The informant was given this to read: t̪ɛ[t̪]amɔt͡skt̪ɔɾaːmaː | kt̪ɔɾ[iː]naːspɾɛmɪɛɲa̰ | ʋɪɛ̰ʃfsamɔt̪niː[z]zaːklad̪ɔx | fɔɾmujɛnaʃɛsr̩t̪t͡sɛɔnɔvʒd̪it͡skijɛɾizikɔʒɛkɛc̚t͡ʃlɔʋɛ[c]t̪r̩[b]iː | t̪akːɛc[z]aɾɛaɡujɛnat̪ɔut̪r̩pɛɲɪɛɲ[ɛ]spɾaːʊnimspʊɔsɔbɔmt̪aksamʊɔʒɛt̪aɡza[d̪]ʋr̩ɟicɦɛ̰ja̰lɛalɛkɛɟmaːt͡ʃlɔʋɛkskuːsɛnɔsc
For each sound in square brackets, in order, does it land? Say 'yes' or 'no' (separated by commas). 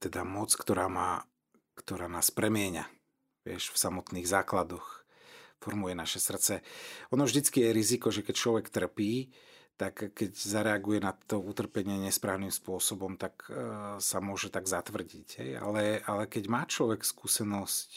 no, no, no, no, no, yes, yes, no